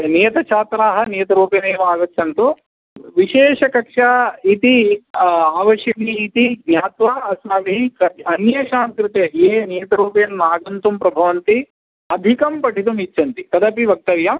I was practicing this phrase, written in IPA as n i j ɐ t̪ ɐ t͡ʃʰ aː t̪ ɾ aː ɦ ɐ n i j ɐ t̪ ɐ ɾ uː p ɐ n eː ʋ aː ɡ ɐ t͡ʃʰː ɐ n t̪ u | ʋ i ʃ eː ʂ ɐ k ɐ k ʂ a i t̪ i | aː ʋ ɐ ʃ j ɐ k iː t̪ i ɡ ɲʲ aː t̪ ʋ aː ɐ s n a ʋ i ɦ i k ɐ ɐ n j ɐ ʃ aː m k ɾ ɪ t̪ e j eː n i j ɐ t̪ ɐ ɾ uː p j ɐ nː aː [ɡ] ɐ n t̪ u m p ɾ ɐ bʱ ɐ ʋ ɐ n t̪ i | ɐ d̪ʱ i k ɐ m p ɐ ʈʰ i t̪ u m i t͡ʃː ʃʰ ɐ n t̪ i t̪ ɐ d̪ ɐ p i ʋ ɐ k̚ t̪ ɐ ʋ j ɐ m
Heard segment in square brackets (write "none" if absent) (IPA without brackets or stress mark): ɡ